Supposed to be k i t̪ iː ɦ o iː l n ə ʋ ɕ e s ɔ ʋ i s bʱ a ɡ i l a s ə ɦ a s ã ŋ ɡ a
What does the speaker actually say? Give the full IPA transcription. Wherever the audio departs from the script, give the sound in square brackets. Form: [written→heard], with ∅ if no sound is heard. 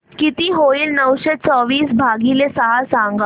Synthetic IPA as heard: k i t̪ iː ɦ o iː l n ə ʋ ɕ e [s→t͡s] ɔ ʋ [i→iː] s bʱ a ɡ i l [a→e] s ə ɦ a s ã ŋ ɡ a